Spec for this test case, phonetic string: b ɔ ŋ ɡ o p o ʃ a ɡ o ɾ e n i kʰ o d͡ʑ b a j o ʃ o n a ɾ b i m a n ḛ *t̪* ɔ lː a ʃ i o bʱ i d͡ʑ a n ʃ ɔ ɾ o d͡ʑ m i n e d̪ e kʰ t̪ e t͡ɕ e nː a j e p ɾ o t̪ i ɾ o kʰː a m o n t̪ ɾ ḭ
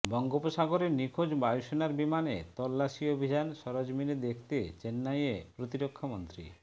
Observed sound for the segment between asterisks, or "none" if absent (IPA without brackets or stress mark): t̪